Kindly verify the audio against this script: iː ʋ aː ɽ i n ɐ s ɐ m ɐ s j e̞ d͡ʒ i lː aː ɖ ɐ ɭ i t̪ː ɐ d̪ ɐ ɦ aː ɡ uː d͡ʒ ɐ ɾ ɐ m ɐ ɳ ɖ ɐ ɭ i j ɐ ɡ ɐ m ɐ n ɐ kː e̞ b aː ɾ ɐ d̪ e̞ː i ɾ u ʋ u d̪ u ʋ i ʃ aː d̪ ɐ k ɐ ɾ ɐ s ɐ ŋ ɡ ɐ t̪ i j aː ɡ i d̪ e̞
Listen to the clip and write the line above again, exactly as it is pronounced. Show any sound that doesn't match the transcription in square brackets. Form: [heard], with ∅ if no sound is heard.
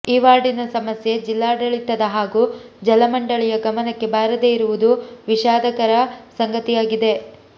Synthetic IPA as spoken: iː ʋ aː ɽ i n ɐ s ɐ m ɐ s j e̞ d͡ʒ i lː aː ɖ ɐ ɭ i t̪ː ɐ d̪ ɐ ɦ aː ɡ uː d͡ʒ ɐ [l] ɐ m ɐ ɳ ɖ ɐ ɭ i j ɐ ɡ ɐ m ɐ n ɐ kː e̞ b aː ɾ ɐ d̪ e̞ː i ɾ u ʋ u d̪ u ʋ i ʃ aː d̪ ɐ k ɐ ɾ ɐ s ɐ ŋ ɡ ɐ t̪ i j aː ɡ i d̪ e̞